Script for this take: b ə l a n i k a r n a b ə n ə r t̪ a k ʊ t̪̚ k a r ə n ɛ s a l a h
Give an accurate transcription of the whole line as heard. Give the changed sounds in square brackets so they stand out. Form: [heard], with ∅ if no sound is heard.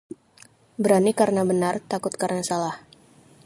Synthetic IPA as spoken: b ə [ɾ] a n i k a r n a b ə n [a] r t̪ a k ʊ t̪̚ k a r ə n [a] s a l a h